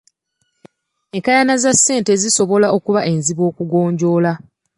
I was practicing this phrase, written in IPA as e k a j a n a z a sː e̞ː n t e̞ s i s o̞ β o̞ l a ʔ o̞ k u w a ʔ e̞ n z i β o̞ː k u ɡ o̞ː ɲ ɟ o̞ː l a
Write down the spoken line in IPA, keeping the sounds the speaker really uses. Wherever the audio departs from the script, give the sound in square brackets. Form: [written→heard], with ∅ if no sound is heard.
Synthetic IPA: e k a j a n a z a sː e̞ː n t e̞ [s→z] i s o̞ β o̞ l a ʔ o̞ k u [w→β] a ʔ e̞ n z i β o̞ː k u ɡ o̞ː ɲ ɟ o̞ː l a